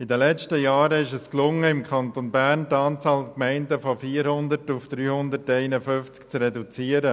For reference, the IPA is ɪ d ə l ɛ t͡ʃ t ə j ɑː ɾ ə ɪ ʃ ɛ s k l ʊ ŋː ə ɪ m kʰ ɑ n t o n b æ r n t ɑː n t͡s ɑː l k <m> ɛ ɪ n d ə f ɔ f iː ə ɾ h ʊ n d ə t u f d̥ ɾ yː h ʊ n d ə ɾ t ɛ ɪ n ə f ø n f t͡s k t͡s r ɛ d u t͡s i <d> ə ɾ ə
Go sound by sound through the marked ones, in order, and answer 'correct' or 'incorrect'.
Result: correct, incorrect: none

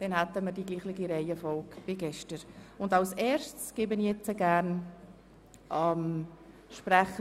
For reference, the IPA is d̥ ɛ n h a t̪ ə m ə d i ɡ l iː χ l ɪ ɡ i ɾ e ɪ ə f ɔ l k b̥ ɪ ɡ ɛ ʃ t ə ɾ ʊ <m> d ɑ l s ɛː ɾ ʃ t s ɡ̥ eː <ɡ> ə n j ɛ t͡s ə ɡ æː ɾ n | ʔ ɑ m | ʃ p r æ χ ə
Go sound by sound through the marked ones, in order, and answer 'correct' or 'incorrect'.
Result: incorrect: n, incorrect: b

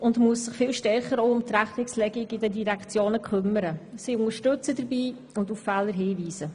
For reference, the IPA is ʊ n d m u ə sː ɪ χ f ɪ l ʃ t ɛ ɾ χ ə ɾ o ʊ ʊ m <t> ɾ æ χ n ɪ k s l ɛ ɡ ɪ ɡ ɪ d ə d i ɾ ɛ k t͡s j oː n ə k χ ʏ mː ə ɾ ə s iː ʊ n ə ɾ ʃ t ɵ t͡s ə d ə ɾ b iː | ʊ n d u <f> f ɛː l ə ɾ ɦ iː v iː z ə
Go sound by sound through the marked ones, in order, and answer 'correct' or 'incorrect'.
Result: correct, correct

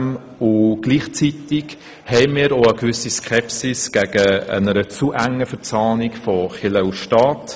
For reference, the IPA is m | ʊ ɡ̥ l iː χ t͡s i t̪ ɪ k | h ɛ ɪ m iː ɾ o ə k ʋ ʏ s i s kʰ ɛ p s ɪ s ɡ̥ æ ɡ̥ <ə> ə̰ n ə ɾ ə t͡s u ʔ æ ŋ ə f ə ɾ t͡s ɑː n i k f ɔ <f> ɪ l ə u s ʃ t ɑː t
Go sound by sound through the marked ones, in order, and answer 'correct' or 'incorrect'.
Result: correct, incorrect: χ

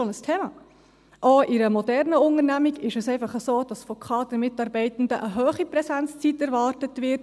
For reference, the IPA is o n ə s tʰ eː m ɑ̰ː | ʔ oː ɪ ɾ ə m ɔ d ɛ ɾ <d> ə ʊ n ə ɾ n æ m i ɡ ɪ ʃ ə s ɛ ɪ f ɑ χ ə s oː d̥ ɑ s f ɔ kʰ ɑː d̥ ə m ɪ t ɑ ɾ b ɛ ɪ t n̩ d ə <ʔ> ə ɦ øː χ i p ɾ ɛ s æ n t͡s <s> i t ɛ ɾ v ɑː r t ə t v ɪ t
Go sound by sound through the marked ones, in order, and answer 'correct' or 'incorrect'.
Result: incorrect: n, correct, incorrect: t͡s

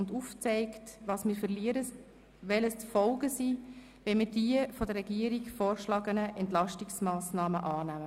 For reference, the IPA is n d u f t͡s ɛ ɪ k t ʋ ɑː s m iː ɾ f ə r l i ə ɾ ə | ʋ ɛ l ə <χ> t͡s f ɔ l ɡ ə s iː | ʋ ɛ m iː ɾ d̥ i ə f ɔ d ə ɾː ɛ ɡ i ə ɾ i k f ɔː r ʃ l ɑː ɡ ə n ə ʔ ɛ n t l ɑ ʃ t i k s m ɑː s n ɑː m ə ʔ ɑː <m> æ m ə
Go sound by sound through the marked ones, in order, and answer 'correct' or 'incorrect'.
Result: incorrect: s, incorrect: n

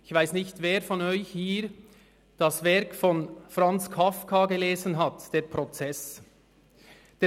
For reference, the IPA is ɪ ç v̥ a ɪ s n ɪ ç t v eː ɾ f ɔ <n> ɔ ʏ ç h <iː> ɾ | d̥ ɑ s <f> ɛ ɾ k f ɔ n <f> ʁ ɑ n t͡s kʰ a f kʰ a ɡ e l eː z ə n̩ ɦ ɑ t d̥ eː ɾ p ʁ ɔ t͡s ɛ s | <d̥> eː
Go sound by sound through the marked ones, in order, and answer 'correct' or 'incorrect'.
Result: correct, correct, incorrect: v, correct, correct

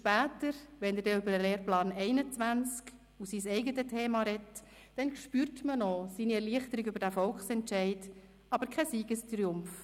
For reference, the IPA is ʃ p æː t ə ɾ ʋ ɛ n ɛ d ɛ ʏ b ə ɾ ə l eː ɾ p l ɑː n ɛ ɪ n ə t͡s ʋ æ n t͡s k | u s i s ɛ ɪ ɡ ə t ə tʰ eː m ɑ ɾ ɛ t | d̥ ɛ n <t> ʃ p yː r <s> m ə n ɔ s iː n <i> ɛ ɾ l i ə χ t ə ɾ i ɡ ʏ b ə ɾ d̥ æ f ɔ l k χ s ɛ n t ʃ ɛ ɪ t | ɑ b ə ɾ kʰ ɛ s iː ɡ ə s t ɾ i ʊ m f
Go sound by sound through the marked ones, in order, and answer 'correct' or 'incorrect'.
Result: incorrect: k, incorrect: t, correct

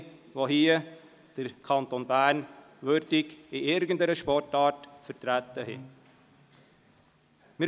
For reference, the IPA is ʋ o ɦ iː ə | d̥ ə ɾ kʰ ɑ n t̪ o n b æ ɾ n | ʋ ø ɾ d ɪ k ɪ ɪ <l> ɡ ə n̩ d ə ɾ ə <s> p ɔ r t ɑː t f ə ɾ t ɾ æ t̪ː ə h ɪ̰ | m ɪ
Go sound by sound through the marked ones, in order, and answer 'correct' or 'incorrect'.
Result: incorrect: ɾ, incorrect: ʃ

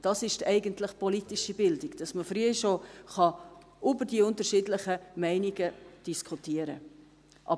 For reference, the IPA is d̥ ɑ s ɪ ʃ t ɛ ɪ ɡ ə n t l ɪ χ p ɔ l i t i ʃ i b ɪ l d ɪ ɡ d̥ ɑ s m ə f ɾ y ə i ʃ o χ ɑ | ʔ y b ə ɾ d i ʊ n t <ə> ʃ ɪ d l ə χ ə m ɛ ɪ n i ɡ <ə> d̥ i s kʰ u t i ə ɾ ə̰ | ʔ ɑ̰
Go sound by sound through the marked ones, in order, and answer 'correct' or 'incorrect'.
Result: correct, correct

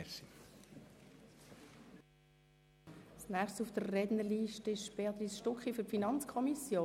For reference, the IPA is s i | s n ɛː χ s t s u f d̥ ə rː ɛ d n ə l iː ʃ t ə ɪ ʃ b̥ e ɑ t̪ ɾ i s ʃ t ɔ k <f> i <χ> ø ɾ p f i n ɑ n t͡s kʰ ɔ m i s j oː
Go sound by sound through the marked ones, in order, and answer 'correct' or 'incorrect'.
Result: incorrect: χ, incorrect: f

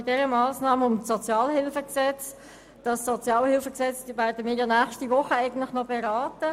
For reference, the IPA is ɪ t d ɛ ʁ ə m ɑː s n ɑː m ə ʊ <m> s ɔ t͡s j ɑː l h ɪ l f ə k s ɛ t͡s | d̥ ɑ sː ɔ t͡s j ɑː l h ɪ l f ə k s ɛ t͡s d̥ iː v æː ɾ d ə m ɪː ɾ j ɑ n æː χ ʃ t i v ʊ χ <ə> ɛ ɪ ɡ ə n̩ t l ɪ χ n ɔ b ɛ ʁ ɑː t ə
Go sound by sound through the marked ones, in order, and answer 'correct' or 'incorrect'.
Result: correct, correct

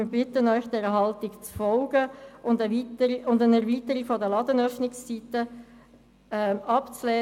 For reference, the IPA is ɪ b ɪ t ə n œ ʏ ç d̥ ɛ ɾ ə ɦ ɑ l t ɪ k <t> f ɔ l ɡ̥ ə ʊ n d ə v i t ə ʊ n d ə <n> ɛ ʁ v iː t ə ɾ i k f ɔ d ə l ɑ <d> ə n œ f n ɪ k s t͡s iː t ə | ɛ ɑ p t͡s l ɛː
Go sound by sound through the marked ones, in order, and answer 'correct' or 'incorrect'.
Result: incorrect: t͡s, correct, correct

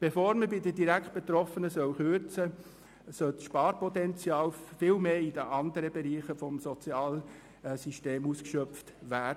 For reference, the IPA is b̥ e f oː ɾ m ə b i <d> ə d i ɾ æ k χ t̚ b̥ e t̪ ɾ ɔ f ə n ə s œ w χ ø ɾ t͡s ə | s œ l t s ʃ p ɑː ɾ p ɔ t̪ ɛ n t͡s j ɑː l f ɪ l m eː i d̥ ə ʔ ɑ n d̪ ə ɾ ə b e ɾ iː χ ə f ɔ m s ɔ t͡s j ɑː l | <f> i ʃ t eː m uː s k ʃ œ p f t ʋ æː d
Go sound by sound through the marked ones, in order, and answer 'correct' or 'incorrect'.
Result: correct, incorrect: s

